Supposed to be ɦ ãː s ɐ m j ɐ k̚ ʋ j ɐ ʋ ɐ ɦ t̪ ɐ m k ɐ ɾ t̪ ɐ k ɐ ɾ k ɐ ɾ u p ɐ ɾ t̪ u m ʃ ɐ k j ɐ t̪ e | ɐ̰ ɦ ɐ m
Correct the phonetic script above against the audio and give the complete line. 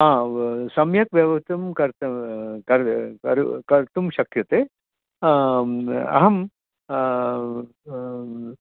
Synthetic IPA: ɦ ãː s ɐ m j ɐ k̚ ʋ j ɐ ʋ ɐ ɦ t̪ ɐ m k ɐ ɾ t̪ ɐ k ɐ ɾ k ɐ ɾ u k ɐ ɾ t̪ u m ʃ ɐ k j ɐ t̪ e | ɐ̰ ɦ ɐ m

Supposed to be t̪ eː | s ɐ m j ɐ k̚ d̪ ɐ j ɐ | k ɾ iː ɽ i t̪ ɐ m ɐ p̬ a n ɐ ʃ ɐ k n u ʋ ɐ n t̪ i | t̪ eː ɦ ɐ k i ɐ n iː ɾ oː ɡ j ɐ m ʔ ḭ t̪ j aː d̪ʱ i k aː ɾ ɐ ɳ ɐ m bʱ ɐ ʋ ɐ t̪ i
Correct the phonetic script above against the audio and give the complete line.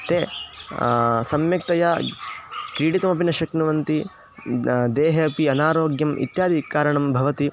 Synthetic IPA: t̪ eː | s ɐ m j ɐ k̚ t̪ ɐ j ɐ | k ɾ iː ɽ i t̪ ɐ m ɐ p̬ i n ɐ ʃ ɐ k n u ʋ ɐ n t̪ i | d̪ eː ɦ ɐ p i ɐ n aː ɾ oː ɡ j ɐ m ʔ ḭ t̪ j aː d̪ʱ i k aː ɾ ɐ ɳ ɐ m bʱ ɐ ʋ ɐ t̪ i

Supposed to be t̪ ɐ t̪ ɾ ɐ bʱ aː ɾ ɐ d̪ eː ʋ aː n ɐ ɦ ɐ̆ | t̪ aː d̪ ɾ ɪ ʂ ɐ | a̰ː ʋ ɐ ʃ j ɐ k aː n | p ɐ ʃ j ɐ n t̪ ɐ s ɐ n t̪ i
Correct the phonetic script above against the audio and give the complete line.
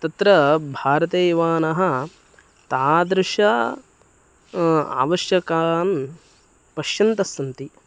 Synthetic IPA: t̪ ɐ t̪ ɾ ɐ bʱ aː ɾ ɐ t̪ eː ʋ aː n ɐ ɦ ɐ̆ | t̪ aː d̪ ɾ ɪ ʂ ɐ | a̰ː ʋ ɐ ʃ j ɐ k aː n | p ɐ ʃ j ɐ n t̪ ɐ s ɐ n t̪ i

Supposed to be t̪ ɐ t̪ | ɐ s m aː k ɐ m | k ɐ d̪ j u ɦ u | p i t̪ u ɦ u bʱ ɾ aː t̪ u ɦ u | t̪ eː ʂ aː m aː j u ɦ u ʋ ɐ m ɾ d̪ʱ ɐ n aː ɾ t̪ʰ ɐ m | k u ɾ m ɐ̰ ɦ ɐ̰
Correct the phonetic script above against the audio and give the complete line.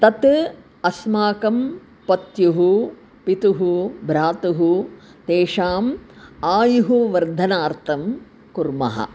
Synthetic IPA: t̪ ɐ t̪ | ɐ s m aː k ɐ m | p ɐ t̪ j u ɦ u | p i t̪ u ɦ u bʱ ɾ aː t̪ u ɦ u | t̪ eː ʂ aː m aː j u ɦ u ʋ ɐ ɾ d̪ʱ ɐ n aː ɾ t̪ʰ ɐ m | k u ɾ m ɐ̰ ɦ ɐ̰

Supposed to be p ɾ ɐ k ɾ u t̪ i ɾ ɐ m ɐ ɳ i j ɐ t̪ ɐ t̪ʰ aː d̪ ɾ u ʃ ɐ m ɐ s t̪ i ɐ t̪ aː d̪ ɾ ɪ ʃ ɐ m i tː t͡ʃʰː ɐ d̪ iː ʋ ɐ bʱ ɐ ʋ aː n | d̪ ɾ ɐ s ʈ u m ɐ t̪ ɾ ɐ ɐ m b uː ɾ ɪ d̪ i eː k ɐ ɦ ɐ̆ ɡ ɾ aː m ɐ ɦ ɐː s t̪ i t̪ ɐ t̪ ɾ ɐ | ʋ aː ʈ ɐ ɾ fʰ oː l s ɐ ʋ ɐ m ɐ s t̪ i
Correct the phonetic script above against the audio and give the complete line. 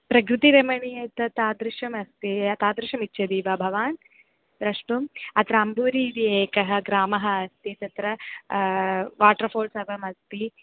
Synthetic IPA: p ɾ ɐ k ɾ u t̪ i ɾ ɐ m ɐ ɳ i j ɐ t̪ ɐ t̪ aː d̪ ɾ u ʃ ɐ m ɐ s t̪ i ɐ t̪ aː d̪ ɾ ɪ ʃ ɐ m i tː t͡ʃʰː ɐ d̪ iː ʋ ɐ bʱ ɐ ʋ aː n | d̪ ɾ ɐ ʂ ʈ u m ɐ t̪ ɾ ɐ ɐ m b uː ɾ i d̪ i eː k ɐ ɦ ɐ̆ ɡ ɾ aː m ɐ ɦ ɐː s t̪ i t̪ ɐ t̪ ɾ ɐ | ʋ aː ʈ ɐ ɾ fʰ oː l s ɐ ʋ ɐ m ɐ s t̪ i

